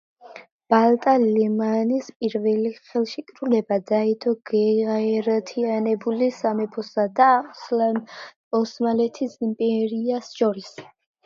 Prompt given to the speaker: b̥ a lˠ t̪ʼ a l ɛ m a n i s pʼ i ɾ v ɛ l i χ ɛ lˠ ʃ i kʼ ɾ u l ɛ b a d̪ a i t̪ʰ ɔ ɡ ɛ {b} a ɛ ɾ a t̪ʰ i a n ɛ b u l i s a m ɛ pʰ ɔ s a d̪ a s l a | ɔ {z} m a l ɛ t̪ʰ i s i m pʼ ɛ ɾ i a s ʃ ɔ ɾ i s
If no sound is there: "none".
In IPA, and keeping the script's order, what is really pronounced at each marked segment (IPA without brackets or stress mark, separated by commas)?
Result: none, s